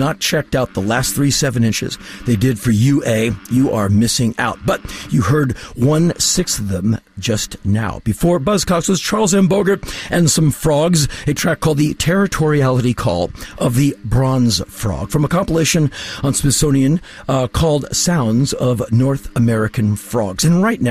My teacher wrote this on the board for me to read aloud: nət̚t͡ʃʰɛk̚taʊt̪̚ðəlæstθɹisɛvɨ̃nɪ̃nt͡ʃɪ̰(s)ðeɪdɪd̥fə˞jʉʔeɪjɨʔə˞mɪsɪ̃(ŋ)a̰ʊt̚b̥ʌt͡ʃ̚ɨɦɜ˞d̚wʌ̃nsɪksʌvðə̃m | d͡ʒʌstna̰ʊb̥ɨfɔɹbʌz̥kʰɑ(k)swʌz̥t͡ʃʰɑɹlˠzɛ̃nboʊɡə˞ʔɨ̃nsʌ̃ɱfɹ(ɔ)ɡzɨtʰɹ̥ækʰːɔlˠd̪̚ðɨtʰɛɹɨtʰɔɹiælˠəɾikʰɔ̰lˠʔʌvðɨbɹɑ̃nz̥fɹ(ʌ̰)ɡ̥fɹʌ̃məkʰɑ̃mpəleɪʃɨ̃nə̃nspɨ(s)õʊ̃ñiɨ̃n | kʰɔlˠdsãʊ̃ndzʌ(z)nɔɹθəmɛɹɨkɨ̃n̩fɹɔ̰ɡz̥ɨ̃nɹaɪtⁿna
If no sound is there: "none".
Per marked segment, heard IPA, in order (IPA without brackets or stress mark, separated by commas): z, ŋ, k, ɔ, ɔ̰, s, v